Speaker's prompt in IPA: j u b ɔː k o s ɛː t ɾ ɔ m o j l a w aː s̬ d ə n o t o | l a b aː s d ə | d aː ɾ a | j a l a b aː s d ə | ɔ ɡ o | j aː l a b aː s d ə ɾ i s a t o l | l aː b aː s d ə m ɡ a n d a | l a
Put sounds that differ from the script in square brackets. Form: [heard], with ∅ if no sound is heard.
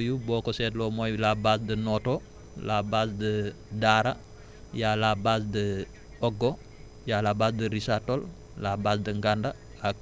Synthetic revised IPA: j u b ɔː k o s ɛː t [l] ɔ m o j l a [b] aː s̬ d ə n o t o | l a b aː s d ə | d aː ɾ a | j a l a b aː s d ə | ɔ ɡ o | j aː l a b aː s d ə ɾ i s a t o l | l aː b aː s d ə [ŋ] ɡ a n d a | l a